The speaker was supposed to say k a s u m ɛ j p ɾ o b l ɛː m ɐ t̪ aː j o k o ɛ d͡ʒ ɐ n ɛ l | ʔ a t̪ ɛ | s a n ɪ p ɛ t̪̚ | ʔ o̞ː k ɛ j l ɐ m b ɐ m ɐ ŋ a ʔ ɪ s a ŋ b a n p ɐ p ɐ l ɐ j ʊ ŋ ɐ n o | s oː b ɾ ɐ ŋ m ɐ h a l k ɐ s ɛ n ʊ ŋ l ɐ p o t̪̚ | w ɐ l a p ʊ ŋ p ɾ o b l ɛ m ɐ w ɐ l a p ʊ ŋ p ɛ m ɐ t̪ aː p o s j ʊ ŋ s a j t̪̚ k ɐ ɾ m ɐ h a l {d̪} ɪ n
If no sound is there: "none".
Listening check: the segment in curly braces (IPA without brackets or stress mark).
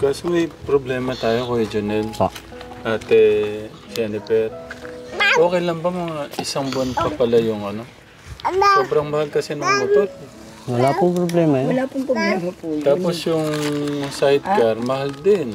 d̪